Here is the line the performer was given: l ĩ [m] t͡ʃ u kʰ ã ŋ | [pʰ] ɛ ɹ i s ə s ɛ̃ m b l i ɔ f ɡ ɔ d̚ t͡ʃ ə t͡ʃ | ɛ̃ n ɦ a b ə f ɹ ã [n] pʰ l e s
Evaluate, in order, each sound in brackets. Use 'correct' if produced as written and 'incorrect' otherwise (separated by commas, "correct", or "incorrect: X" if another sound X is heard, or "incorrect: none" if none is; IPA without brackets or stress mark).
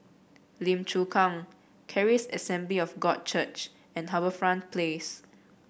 correct, incorrect: kʰ, correct